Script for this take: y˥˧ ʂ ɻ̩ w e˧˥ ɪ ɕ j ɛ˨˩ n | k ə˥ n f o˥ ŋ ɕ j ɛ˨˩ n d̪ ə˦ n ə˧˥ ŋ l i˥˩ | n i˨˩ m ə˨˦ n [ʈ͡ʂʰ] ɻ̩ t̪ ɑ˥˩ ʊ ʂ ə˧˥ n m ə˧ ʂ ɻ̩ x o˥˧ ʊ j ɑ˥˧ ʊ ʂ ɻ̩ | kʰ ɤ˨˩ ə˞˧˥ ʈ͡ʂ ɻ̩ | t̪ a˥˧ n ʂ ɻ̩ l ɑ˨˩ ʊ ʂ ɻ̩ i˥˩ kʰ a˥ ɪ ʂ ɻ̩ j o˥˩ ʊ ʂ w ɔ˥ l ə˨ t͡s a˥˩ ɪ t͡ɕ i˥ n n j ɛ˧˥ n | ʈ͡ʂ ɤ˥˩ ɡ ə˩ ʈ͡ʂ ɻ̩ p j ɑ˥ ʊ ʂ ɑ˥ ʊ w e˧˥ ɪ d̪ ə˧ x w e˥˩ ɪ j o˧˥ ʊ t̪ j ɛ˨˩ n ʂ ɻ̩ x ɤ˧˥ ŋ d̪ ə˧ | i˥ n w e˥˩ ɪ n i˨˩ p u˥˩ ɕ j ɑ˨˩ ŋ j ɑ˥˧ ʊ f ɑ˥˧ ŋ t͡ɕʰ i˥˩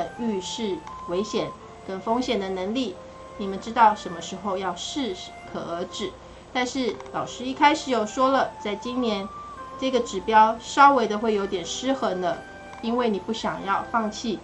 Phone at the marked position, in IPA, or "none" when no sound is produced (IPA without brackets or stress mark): ʈ͡ʂ